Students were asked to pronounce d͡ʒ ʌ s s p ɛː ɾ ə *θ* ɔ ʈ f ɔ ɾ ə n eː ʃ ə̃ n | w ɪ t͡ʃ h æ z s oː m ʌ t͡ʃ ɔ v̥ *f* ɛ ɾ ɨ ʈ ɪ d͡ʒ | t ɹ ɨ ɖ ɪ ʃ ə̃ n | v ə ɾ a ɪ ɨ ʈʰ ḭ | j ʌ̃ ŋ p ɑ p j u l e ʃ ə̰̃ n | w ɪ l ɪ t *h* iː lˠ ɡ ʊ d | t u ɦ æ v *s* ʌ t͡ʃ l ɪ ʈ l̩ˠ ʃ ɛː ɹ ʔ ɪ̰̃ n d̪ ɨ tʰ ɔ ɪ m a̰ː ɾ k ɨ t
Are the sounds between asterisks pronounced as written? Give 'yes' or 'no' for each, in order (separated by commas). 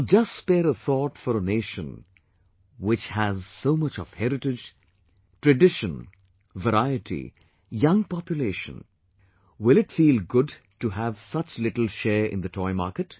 yes, no, no, yes